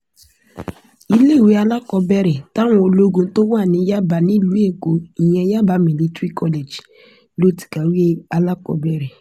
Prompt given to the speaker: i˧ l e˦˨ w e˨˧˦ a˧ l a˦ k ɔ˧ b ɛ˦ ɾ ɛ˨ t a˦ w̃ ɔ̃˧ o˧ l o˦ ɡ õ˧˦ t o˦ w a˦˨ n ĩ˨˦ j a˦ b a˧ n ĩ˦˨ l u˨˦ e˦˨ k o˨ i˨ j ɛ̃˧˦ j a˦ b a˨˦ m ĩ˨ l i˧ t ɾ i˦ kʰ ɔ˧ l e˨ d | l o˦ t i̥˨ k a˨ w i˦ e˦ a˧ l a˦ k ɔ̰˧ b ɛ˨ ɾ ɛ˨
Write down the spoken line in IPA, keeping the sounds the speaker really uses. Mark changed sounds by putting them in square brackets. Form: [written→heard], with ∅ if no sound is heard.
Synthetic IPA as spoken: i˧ l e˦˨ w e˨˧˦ a˧ l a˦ k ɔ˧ b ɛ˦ ɾ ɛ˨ t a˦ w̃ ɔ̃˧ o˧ l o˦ ɡ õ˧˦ t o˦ w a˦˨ n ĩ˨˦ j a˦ b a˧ n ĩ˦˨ l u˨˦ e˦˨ k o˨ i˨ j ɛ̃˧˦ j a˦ b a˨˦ m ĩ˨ l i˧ t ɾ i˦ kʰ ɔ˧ l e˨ [d→d͡ʒ] | l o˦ t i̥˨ k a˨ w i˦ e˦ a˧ l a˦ k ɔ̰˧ b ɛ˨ ɾ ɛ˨

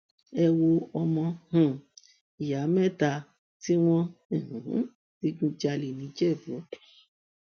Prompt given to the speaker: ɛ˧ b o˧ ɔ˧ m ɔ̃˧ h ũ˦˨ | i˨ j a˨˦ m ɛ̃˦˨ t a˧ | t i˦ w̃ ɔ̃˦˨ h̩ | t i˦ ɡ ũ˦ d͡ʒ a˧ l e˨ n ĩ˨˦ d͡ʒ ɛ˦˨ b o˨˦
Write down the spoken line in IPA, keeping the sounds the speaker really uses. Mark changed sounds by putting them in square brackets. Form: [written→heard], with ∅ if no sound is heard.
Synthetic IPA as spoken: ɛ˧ [b→w] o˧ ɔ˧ m ɔ̃˧ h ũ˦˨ | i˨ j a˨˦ m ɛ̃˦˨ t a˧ | t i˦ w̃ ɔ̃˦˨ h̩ | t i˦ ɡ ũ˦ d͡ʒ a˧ l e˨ n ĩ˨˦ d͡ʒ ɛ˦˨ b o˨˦

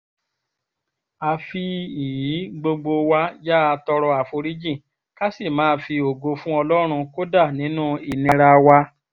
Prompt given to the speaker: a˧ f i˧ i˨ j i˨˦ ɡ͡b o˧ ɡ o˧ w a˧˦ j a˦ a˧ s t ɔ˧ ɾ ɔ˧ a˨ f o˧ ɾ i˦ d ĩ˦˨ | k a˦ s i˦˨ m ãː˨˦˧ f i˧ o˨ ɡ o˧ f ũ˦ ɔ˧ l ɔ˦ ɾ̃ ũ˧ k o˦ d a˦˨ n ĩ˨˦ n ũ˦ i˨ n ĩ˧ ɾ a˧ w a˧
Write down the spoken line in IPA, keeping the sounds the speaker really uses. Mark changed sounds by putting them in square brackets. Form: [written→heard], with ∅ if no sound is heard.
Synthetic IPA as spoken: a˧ f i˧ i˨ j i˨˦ ɡ͡b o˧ [ɡ→ɡ͡b] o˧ w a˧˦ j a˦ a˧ [s→∅] t ɔ˧ ɾ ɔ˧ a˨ f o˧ ɾ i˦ [d→d͡ʒ] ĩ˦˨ | k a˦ s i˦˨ m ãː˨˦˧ f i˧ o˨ ɡ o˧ f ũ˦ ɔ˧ l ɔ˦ ɾ̃ ũ˧ k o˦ d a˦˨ n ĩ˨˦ n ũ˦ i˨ n ĩ˧ ɾ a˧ w a˧

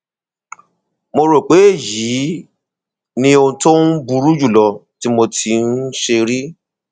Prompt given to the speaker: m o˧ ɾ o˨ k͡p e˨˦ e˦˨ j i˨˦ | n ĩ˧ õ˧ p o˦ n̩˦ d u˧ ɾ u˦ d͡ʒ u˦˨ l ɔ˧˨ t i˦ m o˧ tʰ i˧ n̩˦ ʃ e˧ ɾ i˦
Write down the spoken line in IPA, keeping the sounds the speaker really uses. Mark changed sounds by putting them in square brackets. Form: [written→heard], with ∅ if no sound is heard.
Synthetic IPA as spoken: m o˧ ɾ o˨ k͡p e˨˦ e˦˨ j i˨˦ | n ĩ˧ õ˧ [p→t] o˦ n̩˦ [d→b] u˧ ɾ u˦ d͡ʒ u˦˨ l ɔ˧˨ t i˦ m o˧ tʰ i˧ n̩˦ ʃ e˧ ɾ i˦

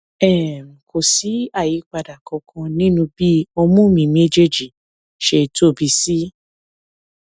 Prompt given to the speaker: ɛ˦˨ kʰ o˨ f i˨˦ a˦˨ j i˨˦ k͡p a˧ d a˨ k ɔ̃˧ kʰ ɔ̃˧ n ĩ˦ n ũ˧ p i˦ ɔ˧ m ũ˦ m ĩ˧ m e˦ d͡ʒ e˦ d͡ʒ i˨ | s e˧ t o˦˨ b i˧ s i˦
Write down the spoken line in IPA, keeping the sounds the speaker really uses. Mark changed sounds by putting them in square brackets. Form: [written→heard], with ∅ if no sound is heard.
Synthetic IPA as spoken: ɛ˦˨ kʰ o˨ [f→s] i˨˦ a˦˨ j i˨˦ k͡p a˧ d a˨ k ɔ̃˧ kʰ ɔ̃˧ n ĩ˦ n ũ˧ [p→b] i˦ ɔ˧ m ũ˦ m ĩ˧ m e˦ d͡ʒ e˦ d͡ʒ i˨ | [s→ʃ] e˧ t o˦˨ b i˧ s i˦

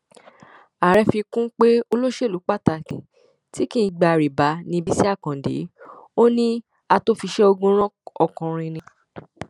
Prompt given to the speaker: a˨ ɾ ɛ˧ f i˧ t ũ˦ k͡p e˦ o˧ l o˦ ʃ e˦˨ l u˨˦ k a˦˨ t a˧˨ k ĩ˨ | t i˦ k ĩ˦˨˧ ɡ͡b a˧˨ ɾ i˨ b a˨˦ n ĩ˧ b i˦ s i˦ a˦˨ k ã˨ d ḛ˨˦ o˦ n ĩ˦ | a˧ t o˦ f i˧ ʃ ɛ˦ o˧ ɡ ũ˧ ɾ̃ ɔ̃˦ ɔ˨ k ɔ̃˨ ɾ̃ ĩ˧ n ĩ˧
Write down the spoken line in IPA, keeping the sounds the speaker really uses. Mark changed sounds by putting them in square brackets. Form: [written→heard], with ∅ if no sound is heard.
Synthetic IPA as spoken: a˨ ɾ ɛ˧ f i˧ [t→k] ũ˦ k͡p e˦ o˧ l o˦ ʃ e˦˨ l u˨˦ [k→k͡p] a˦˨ t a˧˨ k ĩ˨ | t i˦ k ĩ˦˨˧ ɡ͡b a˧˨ ɾ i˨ b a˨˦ n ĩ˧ b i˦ s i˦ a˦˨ k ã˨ d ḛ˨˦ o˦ n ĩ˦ | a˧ t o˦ f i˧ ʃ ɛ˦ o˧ ɡ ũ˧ ɾ̃ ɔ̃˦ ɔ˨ k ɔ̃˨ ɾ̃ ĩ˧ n ĩ˧

